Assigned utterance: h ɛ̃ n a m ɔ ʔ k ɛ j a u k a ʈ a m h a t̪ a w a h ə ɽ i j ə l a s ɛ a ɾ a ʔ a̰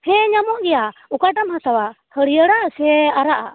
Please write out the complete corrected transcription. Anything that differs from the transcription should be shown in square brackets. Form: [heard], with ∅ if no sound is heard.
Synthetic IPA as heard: h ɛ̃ [ɲ] a m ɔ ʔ [ɡ] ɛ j a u k a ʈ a m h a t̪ a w a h ə ɽ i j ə [ɽ] a s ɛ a ɾ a ʔ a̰